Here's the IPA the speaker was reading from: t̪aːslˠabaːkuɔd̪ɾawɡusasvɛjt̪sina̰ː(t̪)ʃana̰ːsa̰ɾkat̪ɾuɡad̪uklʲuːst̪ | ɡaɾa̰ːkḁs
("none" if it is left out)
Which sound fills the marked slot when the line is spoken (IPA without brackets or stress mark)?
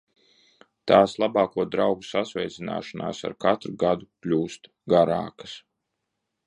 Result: none